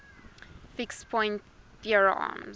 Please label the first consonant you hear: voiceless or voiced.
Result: voiceless